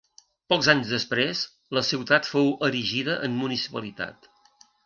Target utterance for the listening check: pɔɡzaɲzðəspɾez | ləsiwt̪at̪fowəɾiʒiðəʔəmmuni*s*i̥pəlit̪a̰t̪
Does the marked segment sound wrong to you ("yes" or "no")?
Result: no